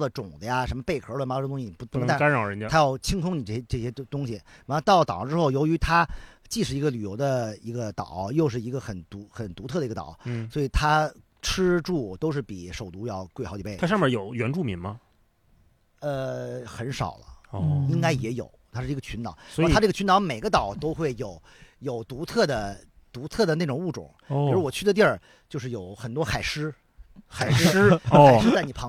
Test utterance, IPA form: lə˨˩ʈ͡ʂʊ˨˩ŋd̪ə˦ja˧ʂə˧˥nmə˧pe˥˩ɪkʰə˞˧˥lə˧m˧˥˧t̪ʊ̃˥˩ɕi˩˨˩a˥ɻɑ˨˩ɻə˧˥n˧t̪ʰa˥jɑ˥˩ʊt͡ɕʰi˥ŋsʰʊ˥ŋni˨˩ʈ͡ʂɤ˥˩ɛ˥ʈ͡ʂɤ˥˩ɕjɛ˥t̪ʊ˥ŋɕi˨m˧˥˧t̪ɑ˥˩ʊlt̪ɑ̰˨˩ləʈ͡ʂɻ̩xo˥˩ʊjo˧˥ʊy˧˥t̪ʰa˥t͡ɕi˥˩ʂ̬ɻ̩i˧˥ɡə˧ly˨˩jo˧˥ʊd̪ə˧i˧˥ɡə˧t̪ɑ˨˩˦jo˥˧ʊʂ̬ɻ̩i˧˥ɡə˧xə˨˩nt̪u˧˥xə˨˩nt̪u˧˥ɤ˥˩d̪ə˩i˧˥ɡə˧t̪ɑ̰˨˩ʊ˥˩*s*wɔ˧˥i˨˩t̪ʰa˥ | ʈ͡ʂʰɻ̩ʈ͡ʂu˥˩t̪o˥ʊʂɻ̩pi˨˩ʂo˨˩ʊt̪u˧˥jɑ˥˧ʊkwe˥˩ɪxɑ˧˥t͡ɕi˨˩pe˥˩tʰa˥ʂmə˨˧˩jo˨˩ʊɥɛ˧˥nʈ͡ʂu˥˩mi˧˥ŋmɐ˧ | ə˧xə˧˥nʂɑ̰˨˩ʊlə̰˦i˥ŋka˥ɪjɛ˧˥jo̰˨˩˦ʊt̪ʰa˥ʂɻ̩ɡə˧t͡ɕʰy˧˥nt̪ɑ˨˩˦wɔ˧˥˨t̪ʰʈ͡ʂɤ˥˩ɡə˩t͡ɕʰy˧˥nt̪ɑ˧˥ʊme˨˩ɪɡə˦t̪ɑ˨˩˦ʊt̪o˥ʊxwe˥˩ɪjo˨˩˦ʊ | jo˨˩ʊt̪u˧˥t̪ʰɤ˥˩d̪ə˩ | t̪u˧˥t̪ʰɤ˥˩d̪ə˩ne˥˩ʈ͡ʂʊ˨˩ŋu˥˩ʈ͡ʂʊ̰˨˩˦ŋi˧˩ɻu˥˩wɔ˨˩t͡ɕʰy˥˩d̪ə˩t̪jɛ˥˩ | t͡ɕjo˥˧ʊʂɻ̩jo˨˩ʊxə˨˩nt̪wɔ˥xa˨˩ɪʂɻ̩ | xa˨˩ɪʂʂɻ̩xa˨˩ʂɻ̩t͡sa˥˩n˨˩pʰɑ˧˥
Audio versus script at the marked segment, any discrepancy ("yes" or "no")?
no